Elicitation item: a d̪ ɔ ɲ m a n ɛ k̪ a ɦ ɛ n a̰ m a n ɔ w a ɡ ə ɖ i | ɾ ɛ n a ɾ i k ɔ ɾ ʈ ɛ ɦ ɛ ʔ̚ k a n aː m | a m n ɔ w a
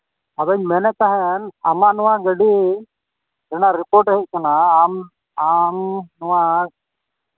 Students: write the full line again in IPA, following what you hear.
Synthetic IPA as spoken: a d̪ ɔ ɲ m ɛ n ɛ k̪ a ɦ ɛ n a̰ m a n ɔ w a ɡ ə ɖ i | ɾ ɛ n a ɾ i p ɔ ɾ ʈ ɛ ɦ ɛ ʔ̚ k a n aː m | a m n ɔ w a